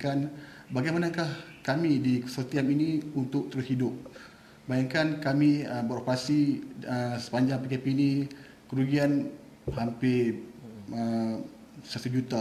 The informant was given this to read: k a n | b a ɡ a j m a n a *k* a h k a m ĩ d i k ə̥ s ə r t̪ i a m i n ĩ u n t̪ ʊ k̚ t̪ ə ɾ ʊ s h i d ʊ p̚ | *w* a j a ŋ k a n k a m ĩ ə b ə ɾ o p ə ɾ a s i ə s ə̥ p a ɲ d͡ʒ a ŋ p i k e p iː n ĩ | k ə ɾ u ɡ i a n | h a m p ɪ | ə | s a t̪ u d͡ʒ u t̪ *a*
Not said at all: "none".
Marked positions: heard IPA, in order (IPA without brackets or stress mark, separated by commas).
k, b, a